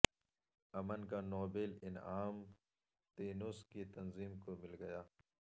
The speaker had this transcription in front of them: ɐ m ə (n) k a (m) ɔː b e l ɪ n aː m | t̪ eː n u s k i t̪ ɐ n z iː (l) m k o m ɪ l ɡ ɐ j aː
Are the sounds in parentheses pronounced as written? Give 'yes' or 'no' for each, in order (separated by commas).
yes, no, no